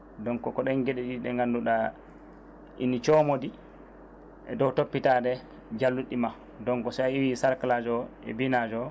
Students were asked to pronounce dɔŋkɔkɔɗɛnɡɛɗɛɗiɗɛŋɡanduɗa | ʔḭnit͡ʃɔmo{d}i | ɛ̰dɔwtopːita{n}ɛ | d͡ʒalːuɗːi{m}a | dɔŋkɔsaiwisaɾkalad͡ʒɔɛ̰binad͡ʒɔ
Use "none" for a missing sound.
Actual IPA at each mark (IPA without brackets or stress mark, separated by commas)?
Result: d, d, m